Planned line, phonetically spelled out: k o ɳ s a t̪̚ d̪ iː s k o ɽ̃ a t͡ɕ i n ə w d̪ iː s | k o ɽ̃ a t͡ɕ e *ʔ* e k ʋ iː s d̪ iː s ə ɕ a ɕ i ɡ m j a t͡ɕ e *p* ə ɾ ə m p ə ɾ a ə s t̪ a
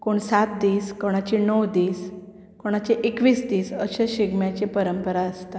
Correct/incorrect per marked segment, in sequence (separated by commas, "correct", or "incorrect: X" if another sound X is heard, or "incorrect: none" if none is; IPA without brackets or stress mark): correct, correct